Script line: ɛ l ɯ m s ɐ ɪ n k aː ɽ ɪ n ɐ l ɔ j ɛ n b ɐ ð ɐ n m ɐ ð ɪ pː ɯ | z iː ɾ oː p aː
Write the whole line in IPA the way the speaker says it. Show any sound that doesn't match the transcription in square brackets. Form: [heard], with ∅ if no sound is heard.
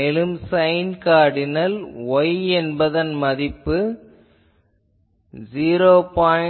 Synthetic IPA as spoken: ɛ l ɯ m s ɐ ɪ n k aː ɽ ɪ n ɐ l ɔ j ɛ n b ɐ ð ɐ n m ɐ ð ɪ pː ɯ | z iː ɾ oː p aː